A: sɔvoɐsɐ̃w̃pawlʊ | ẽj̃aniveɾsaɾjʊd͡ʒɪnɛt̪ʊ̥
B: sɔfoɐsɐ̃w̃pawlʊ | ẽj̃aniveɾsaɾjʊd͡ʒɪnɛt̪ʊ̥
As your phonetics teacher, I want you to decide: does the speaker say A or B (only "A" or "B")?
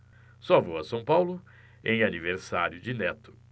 A